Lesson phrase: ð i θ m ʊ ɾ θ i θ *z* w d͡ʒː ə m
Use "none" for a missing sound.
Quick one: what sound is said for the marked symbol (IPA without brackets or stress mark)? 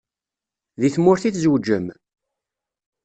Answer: z